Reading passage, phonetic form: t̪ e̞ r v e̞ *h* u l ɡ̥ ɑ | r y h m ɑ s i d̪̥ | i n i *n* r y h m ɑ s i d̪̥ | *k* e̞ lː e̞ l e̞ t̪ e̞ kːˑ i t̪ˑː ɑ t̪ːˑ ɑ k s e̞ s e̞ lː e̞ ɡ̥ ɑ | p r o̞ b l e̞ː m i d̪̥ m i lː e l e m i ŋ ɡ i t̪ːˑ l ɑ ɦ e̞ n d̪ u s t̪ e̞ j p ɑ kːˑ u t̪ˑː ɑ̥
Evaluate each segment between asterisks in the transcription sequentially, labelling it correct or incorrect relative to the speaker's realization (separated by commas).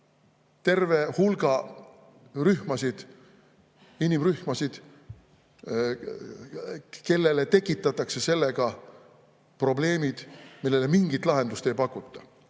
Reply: correct, incorrect, correct